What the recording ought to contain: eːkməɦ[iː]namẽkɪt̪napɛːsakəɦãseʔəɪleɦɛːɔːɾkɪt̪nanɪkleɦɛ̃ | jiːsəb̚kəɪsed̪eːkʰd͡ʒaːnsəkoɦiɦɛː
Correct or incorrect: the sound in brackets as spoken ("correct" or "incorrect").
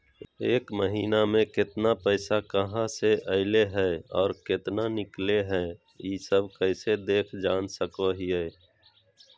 correct